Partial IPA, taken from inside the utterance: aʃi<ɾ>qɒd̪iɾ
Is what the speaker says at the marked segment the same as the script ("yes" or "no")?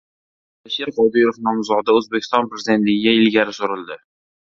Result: yes